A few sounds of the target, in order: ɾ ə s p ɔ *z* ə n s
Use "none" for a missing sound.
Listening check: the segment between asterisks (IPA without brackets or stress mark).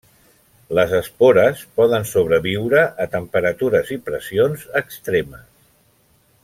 ð